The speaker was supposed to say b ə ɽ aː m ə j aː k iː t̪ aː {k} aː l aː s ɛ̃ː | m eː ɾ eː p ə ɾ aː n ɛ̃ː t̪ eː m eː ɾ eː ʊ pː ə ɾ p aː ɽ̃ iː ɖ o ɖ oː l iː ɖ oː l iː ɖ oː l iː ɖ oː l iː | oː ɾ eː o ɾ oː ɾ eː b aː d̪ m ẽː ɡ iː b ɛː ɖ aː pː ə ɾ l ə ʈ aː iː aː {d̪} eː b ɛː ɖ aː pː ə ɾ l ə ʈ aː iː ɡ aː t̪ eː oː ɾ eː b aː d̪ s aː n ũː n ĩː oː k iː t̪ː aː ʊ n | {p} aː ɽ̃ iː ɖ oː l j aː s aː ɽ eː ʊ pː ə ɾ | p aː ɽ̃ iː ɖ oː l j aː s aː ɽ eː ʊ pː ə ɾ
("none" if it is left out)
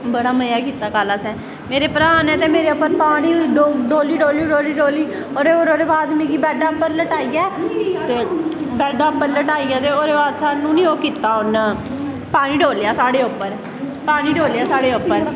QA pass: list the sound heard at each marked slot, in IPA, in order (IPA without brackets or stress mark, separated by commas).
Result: k, t̪, p